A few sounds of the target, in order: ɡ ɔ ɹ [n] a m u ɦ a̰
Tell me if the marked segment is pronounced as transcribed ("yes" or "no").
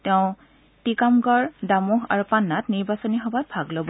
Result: no